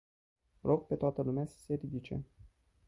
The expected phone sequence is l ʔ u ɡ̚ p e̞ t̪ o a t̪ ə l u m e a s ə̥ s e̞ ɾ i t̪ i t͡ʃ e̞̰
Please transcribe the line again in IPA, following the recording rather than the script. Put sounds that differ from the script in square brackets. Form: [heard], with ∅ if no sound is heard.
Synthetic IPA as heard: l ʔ [o] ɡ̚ p e̞ t̪ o a t̪ ə l u m e a s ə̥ s e̞ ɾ i [d̪] i t͡ʃ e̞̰